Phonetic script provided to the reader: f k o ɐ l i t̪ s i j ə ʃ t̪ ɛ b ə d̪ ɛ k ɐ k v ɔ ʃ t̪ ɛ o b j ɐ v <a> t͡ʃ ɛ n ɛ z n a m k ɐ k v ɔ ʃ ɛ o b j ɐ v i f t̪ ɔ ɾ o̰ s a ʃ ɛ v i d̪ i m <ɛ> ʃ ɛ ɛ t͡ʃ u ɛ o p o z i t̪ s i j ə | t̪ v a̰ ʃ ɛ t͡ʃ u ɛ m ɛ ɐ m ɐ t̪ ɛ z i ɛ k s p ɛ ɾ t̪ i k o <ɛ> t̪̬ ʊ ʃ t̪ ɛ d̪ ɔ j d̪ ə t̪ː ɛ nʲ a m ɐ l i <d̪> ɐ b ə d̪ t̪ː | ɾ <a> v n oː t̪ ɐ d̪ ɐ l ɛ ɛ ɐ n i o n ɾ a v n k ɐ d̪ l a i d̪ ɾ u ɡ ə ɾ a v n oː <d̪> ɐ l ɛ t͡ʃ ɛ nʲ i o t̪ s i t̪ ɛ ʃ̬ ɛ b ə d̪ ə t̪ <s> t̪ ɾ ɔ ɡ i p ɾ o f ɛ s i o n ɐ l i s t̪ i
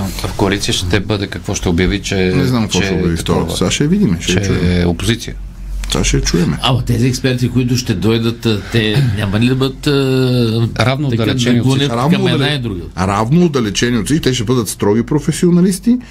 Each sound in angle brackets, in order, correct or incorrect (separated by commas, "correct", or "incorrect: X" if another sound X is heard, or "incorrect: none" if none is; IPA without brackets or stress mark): incorrect: i, correct, incorrect: i, correct, correct, correct, correct